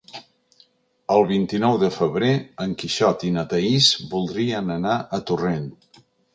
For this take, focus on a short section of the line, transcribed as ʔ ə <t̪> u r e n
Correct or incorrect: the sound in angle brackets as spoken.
correct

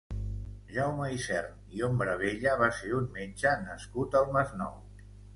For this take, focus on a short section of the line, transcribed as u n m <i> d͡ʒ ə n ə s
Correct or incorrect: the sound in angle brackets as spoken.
incorrect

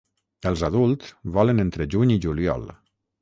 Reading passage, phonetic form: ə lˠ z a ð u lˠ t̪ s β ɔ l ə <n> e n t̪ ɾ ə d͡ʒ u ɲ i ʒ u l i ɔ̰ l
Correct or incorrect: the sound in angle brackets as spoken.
correct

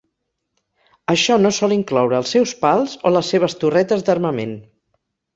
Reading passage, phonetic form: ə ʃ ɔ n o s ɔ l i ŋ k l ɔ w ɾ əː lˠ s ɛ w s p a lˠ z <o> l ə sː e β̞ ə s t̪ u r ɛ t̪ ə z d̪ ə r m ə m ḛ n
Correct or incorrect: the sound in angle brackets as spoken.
correct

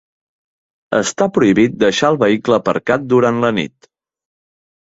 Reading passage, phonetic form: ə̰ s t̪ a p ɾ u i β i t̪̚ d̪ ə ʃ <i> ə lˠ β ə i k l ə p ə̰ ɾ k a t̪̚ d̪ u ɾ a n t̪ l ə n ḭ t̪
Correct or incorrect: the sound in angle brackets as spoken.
incorrect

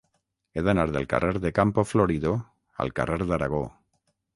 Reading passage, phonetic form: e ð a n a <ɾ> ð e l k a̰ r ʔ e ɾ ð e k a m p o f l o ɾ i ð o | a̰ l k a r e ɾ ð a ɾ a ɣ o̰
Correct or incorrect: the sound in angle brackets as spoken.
correct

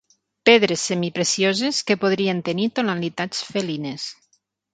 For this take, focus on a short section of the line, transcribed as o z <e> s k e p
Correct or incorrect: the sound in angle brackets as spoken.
correct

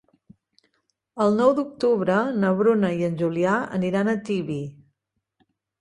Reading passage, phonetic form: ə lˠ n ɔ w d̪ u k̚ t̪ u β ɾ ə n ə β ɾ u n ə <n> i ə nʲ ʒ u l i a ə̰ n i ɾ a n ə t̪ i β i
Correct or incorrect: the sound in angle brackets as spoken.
incorrect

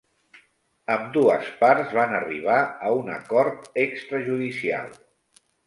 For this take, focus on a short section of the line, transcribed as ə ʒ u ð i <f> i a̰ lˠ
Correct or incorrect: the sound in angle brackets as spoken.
incorrect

